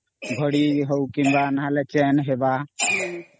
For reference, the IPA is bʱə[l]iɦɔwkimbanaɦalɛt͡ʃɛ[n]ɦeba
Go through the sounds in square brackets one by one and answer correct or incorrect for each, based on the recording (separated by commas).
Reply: incorrect, correct